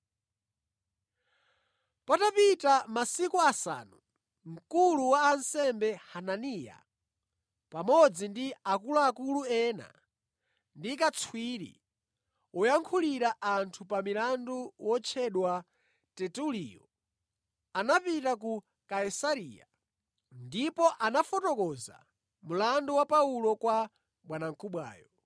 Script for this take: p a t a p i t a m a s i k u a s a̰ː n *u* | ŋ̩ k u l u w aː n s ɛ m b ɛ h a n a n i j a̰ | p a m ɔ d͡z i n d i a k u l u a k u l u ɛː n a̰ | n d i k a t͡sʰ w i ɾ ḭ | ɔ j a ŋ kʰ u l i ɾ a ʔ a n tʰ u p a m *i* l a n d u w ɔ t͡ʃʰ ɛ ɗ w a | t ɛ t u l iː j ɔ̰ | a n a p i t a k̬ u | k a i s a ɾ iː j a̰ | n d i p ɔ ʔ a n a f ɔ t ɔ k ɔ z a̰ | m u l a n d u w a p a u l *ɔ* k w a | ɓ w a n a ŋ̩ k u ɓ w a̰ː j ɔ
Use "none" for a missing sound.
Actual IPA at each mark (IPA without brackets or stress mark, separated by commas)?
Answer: u, i, ɔ